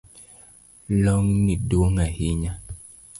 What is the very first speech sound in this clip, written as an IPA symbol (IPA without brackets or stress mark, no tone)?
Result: l